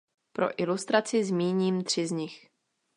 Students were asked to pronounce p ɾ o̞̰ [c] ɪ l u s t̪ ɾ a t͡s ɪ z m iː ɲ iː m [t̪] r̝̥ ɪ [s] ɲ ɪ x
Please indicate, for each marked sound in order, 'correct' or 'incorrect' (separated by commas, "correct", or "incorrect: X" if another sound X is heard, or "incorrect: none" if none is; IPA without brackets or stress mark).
incorrect: ʔ, correct, incorrect: z